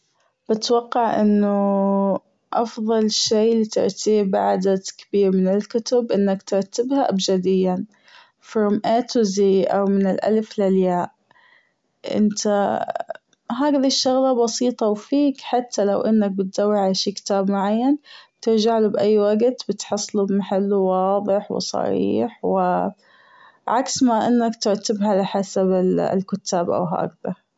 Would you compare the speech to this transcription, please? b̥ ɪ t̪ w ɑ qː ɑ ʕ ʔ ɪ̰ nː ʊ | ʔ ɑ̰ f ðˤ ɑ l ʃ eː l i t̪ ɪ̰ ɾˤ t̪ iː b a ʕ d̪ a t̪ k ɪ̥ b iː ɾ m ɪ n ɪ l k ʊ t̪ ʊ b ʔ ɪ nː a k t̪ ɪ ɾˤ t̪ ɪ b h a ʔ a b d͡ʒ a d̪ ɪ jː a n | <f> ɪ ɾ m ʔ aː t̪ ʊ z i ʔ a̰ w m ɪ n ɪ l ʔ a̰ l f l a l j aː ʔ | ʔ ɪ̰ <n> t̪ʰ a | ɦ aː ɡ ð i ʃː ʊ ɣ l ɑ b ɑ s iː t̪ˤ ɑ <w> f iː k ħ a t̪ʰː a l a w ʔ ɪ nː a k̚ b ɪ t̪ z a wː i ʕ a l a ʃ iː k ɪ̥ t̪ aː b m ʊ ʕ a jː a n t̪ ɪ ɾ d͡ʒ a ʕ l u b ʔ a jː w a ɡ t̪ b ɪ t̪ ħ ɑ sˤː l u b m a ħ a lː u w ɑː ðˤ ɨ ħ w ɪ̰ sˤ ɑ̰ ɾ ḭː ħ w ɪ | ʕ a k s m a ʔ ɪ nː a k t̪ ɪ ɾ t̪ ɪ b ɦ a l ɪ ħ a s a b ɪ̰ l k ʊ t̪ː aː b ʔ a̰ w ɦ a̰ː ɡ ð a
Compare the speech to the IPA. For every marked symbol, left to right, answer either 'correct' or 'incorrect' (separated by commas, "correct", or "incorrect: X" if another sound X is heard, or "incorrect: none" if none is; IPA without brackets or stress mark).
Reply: correct, correct, correct